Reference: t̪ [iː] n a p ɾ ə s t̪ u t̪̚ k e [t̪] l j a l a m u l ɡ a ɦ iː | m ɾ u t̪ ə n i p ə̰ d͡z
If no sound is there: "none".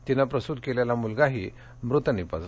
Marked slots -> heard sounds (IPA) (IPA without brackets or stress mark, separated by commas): i, none